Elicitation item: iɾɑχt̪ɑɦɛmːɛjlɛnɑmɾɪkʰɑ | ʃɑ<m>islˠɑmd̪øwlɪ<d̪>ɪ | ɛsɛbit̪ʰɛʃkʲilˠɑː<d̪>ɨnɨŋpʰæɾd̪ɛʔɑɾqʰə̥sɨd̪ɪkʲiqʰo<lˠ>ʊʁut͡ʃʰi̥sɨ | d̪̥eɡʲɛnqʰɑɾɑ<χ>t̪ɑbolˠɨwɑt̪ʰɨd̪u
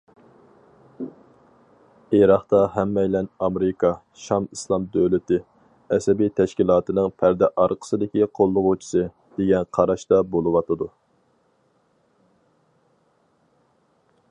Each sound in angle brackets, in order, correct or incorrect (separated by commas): correct, incorrect, incorrect, incorrect, incorrect